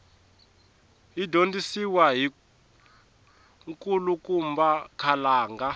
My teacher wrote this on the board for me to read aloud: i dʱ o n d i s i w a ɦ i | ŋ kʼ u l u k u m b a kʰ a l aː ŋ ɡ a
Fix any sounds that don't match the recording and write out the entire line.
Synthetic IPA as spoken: i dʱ o n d i s i w a ɦ i | ŋ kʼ u l u k u m b a kʰ a l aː ŋ ɡ a